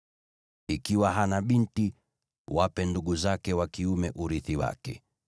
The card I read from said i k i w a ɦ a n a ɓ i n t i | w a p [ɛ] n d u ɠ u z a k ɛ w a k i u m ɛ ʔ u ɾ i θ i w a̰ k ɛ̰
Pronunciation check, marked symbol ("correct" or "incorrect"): correct